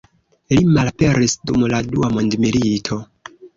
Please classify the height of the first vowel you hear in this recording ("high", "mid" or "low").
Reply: high